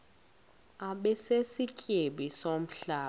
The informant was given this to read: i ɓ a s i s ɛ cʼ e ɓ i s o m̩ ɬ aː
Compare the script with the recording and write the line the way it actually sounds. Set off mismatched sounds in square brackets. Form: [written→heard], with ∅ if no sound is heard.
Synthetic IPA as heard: [i→a] ɓ [a→ɛ] s [i→e] s [ɛ→i] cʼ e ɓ i s o m̩ ɬ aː